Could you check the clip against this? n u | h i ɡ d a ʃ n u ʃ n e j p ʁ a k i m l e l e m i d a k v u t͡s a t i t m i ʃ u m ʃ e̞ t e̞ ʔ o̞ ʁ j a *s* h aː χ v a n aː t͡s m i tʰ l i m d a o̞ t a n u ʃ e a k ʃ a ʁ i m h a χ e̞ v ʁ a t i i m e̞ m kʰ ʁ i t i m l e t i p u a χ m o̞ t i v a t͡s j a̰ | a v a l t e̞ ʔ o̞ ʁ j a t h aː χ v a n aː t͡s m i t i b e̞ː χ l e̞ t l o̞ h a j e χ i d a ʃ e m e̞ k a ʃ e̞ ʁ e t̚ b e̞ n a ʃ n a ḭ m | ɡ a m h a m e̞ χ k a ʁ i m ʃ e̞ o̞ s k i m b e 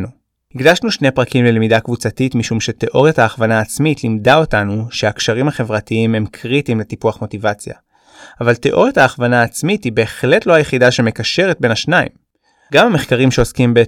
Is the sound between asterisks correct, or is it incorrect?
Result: incorrect